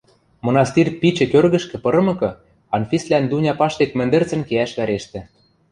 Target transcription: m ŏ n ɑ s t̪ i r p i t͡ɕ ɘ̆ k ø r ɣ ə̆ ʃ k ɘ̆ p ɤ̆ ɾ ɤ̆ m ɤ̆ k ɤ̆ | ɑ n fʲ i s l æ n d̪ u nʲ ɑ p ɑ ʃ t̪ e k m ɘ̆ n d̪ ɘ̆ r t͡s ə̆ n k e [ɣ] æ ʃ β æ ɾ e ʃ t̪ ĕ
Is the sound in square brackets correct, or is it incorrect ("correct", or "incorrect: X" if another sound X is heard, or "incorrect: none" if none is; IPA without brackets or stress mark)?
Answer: incorrect: none